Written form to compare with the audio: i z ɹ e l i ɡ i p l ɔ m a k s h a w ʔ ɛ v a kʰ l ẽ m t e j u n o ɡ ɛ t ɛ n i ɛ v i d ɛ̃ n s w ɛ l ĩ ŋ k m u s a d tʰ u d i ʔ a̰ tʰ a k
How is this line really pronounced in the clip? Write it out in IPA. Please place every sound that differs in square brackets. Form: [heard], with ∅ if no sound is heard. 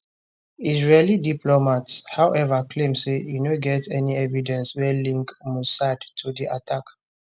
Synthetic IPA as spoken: i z ɹ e l i [d] i p l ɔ m a [t] s h a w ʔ ɛ v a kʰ l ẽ m [s] e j u n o ɡ ɛ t ɛ n i ɛ v i d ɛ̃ n s w ɛ l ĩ ŋ k m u s a d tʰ u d i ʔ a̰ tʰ a k